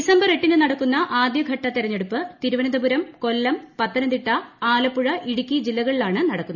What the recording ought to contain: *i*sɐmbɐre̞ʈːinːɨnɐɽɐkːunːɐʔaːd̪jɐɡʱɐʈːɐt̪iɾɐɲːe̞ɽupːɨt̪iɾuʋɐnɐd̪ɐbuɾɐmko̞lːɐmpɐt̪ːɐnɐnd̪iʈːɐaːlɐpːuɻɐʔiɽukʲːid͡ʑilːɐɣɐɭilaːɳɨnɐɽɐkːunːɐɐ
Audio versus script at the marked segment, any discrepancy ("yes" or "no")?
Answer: no